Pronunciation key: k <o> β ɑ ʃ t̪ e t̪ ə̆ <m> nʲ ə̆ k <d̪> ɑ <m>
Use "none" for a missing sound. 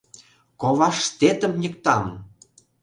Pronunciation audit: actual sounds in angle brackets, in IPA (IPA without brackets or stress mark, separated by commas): o, m, t̪, m